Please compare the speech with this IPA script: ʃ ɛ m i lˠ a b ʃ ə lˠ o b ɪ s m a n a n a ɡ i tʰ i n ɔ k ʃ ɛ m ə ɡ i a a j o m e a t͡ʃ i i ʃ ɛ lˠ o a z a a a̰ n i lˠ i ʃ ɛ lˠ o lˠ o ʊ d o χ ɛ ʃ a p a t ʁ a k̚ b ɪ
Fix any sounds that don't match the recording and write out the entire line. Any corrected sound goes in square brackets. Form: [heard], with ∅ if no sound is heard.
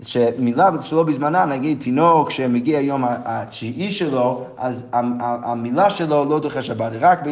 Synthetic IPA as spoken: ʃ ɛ m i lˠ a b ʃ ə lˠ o b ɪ [z] m a n a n a ɡ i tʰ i n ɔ k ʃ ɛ m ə ɡ i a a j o m [a] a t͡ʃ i i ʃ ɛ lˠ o a z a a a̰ [m] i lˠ [a] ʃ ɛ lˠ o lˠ o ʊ d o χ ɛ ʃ a [b] a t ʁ a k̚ b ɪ